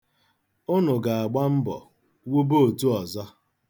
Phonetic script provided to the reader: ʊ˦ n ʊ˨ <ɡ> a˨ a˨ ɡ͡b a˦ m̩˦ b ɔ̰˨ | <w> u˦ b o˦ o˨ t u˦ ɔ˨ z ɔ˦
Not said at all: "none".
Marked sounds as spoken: ɡ, w

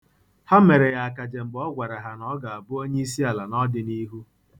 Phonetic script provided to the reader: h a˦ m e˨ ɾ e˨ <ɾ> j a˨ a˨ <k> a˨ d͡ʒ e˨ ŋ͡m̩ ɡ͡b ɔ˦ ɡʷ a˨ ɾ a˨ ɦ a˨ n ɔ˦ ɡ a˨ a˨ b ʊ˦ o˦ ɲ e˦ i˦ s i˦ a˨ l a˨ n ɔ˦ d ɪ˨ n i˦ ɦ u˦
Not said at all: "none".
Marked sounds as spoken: none, k

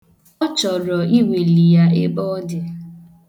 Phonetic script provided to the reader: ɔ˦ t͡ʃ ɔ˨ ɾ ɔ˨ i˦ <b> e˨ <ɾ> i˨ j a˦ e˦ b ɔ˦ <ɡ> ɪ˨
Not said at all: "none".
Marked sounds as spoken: w, l, d

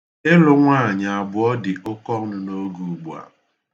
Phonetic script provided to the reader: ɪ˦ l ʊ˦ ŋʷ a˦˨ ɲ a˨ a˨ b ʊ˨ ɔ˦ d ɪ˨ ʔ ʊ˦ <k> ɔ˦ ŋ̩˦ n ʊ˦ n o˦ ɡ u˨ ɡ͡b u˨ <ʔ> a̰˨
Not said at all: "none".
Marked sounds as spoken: k, none

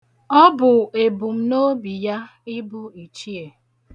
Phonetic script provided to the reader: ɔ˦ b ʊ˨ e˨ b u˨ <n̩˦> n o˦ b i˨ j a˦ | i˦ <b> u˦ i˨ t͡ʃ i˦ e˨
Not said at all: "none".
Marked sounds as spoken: m̩˦, b

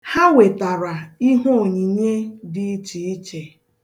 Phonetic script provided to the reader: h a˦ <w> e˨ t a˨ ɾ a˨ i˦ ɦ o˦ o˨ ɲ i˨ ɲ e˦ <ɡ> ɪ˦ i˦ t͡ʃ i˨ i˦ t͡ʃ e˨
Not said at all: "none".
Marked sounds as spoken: w, d

